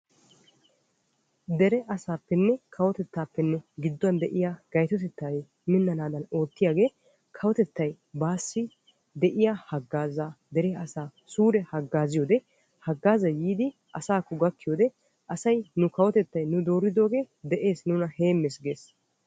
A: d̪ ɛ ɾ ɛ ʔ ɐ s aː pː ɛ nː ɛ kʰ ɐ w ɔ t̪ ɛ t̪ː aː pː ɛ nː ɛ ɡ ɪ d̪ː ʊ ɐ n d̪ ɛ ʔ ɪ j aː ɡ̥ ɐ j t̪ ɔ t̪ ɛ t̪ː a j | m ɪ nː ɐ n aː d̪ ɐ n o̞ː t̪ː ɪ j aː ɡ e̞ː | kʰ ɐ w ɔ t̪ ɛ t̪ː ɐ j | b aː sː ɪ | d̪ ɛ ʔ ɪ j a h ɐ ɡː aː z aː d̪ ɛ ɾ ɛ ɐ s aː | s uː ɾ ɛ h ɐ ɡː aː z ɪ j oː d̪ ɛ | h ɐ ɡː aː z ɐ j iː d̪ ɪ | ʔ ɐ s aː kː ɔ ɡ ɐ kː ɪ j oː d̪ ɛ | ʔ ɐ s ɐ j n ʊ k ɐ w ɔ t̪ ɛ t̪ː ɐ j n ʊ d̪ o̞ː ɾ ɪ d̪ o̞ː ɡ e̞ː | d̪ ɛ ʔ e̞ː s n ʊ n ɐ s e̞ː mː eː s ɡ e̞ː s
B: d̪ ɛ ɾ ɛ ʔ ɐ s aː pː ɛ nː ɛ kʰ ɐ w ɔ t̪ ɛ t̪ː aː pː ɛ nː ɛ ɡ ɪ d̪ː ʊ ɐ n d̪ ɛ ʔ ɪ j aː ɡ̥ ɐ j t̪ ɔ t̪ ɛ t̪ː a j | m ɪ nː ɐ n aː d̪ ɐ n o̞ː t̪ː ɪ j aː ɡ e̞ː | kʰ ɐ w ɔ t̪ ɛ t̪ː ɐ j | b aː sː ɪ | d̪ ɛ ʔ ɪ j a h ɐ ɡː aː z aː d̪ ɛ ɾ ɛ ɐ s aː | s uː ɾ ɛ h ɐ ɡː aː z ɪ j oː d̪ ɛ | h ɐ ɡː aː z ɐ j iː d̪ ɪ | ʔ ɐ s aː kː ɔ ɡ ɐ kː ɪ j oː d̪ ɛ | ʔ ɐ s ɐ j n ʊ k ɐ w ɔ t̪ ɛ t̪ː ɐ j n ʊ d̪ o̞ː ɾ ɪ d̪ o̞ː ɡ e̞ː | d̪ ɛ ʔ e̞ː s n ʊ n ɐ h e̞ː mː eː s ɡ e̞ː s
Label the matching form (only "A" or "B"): B